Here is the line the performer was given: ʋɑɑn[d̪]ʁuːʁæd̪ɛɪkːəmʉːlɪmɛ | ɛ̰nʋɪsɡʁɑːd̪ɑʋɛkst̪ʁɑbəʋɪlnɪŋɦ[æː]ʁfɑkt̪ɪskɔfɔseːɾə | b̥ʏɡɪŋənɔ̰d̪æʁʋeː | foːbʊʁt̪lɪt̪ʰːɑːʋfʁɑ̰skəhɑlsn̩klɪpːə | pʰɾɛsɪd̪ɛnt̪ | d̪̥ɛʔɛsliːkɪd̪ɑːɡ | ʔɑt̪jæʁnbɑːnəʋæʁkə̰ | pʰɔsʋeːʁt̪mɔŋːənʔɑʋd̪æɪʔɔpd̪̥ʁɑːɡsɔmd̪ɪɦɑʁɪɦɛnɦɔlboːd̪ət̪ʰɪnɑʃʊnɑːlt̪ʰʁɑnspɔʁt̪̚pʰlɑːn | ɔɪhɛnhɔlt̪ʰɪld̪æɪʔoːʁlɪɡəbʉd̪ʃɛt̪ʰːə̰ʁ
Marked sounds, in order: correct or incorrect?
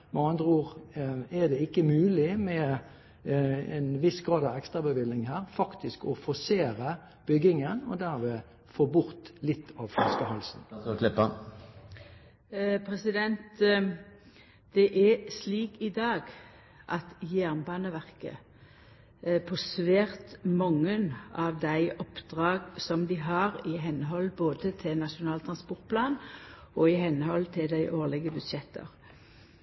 correct, correct

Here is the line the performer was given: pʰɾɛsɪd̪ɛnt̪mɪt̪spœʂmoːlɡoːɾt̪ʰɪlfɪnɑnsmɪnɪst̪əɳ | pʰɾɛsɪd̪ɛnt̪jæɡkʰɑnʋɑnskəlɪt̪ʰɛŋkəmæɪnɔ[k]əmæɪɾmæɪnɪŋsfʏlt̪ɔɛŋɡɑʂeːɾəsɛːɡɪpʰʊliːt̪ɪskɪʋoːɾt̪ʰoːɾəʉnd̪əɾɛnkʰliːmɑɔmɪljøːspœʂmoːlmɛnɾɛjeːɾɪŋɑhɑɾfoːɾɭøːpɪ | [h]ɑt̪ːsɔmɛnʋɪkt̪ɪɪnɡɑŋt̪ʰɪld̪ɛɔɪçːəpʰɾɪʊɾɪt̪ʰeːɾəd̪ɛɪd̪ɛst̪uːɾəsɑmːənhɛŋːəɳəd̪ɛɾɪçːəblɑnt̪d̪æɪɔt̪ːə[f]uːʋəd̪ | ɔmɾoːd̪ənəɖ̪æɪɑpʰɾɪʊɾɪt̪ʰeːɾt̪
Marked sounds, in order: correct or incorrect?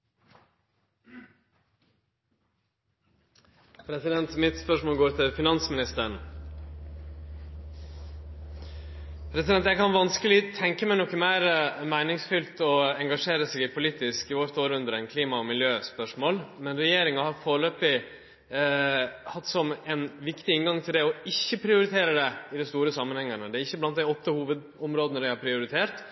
correct, correct, incorrect: h

